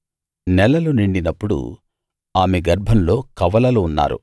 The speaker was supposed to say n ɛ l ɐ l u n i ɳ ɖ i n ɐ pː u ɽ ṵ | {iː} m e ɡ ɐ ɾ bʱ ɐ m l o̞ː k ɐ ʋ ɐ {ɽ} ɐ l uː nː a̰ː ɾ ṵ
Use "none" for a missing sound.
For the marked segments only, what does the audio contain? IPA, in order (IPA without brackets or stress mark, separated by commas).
aː, l